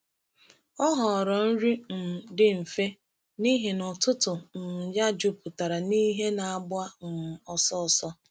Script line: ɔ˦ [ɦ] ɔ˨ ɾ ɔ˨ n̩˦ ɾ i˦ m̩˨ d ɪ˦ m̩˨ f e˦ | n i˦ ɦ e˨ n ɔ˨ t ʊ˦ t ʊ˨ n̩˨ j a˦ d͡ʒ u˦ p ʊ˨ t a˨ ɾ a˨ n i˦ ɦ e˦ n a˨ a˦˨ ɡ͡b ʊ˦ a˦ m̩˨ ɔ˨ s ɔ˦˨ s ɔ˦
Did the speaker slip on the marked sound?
no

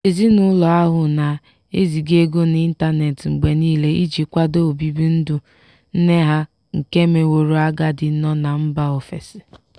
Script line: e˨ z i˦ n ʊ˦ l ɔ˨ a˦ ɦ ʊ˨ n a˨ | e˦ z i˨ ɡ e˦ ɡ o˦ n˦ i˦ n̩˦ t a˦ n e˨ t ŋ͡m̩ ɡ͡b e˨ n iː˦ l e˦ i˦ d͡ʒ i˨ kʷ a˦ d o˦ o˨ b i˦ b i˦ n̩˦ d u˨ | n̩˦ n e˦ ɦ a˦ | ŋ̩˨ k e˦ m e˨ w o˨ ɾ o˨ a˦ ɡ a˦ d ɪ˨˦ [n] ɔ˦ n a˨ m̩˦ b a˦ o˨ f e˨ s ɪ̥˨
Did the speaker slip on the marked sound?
no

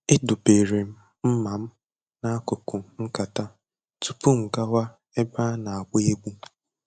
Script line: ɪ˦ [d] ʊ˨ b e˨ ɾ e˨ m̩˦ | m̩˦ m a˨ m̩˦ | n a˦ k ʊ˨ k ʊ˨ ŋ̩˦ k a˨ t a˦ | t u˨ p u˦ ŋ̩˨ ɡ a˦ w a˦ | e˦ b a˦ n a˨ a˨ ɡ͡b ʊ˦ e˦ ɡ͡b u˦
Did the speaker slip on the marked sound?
no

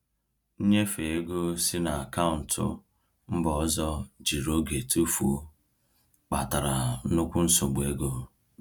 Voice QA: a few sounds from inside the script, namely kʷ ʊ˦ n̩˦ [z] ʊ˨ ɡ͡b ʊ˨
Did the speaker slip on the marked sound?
yes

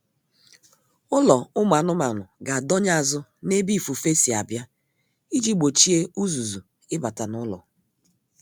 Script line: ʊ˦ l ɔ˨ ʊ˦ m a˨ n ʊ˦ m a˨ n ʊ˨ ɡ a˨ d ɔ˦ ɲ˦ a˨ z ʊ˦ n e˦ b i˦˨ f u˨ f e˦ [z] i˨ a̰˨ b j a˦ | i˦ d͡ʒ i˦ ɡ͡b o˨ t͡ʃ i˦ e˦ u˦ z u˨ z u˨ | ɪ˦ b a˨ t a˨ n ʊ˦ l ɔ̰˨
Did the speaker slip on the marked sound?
yes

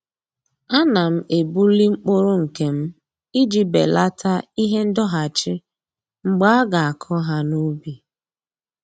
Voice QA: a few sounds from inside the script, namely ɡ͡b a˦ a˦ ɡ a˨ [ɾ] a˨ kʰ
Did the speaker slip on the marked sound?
yes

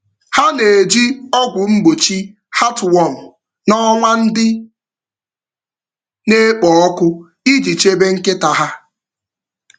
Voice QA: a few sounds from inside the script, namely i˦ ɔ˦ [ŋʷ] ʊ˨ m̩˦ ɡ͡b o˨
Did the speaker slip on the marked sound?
yes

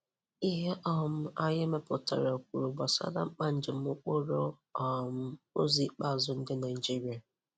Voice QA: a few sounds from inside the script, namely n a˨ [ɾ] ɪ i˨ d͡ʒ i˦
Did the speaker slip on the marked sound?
yes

